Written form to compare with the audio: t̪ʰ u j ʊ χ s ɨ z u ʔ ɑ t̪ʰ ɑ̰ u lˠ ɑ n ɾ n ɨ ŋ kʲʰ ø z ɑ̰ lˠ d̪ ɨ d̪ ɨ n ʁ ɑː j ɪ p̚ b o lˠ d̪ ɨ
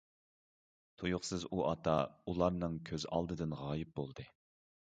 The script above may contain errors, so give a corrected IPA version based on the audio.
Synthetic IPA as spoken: t̪ʰ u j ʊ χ s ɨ z u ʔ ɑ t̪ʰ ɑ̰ u lˠ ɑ ɾ n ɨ ŋ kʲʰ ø z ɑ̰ lˠ d̪ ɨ d̪ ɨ n ʁ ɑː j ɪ p̚ b o lˠ d̪ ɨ